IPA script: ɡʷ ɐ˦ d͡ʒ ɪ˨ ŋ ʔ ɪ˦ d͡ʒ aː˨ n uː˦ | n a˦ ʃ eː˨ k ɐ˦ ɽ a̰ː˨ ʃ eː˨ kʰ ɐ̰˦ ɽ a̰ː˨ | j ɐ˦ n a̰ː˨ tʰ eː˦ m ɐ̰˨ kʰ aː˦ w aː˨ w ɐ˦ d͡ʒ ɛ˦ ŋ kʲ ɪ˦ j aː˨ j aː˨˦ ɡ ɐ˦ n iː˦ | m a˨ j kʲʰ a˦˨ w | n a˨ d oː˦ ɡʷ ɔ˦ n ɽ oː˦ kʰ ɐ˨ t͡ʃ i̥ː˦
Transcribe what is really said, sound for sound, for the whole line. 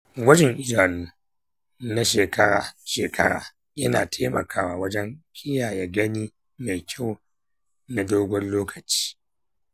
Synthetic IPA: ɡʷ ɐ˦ d͡ʒ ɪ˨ ŋ ʔ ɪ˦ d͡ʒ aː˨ n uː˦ | n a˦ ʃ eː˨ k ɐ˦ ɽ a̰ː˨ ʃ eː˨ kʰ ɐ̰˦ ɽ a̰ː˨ | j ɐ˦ n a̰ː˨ tʰ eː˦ m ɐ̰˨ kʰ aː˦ w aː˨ w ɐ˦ d͡ʒ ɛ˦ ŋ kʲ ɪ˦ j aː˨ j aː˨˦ ɡ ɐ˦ n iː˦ | m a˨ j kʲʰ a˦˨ w | n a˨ d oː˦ ɡʷ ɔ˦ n l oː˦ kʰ ɐ˨ t͡ʃ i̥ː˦